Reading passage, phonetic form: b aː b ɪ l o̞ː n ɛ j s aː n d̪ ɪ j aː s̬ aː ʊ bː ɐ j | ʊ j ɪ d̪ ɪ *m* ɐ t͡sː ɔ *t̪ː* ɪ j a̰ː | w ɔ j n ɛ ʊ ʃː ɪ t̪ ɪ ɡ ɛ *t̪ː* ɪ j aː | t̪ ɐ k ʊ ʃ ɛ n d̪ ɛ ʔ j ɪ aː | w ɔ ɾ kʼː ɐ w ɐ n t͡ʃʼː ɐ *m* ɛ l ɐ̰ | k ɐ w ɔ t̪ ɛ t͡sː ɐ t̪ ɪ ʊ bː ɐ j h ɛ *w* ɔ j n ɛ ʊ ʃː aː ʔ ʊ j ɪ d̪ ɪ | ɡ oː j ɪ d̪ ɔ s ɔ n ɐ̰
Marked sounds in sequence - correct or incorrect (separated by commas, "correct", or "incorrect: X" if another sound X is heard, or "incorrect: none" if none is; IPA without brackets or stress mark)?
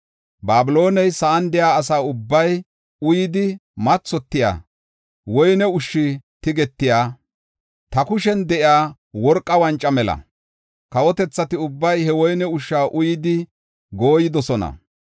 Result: correct, correct, correct, correct, correct